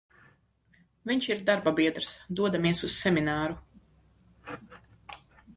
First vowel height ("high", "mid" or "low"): high